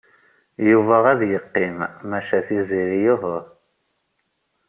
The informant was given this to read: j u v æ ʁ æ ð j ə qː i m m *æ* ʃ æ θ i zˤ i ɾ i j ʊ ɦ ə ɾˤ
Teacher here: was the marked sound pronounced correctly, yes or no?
yes